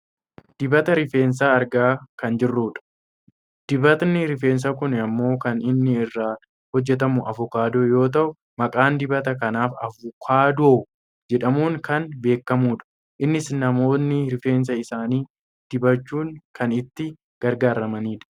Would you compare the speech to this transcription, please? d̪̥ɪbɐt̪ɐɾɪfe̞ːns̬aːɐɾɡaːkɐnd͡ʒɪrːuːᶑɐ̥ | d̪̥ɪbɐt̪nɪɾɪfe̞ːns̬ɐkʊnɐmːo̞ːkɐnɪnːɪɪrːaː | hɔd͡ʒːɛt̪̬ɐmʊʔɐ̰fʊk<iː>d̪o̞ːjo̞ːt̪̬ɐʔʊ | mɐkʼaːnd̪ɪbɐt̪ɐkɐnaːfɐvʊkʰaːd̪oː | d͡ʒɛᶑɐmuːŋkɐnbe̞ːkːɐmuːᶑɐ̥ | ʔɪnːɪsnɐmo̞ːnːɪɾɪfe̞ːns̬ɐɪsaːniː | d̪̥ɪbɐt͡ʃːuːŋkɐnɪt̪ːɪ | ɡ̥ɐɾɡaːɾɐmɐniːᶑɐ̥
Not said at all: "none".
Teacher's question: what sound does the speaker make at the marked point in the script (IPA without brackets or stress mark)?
aː